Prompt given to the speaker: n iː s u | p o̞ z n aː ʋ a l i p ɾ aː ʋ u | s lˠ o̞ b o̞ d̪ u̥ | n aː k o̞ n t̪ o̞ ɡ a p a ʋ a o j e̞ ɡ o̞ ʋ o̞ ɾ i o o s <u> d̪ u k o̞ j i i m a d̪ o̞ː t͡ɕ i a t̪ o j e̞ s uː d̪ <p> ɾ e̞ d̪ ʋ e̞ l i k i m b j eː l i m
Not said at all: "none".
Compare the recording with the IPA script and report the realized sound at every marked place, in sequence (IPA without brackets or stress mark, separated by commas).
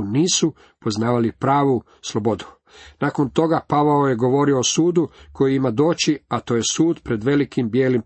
uː, p